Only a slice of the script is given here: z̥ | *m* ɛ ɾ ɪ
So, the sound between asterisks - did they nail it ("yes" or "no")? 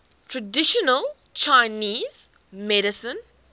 yes